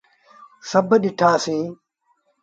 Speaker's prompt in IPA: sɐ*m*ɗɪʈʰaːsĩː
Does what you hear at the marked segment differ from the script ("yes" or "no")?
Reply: yes